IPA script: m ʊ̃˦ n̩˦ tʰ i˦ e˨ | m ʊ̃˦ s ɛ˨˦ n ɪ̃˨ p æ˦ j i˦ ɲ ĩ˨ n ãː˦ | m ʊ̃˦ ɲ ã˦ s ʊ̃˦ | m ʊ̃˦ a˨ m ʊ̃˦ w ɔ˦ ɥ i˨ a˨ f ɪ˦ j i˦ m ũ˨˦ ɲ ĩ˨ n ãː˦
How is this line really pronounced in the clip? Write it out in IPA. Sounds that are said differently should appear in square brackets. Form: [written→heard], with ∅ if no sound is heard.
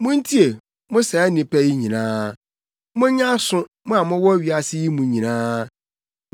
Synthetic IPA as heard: m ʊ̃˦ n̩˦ tʰ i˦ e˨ | m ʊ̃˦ s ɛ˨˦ n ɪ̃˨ p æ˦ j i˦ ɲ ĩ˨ n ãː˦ | m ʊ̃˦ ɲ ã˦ s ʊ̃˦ | m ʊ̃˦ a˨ m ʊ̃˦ w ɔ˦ ɥ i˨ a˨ [f→s] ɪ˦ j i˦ m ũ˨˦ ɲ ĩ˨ n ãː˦